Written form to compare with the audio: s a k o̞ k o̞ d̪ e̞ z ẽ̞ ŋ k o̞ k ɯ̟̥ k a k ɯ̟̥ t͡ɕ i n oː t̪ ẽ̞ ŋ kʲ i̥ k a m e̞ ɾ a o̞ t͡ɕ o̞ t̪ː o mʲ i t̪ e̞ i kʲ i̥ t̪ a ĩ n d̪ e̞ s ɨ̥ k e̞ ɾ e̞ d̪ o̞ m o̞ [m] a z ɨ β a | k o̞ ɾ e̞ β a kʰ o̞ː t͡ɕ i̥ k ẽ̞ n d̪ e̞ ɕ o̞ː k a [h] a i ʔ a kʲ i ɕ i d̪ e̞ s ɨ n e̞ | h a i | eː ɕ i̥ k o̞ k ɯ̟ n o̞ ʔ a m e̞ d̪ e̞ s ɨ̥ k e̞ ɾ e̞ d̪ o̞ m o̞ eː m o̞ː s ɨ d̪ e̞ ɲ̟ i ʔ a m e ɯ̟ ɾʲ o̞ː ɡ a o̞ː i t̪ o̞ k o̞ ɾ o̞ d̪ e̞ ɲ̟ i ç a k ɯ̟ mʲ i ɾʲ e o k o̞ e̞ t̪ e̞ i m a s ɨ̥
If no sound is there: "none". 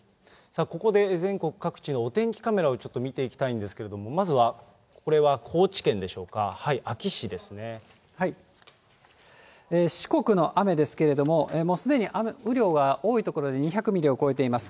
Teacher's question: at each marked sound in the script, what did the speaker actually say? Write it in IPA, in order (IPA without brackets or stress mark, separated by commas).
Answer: m, h